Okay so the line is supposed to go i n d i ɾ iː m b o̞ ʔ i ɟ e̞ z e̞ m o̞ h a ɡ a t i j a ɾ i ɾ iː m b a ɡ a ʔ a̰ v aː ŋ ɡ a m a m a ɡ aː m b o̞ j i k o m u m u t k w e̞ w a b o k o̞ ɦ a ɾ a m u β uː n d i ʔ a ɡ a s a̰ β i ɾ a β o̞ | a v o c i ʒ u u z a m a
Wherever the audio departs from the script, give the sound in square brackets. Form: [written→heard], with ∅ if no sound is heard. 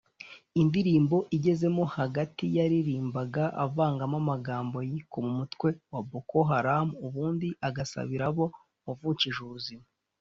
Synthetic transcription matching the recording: i n d i ɾ iː m b o̞ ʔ i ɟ e̞ z e̞ m o̞ h a ɡ a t i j a ɾ i ɾ iː m b a ɡ a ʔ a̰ v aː ŋ ɡ a m a m a ɡ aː m b o̞ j i k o m u m u t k w e̞ w a b o k o̞ ɦ a ɾ a m u β uː n d i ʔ a ɡ a s a̰ β i ɾ a β o̞ | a v [o→u] c i ʒ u u z [a→i] m a